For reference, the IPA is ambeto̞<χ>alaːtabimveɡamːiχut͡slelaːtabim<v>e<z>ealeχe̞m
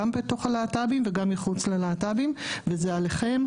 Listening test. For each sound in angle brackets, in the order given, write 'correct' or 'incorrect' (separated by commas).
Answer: correct, correct, correct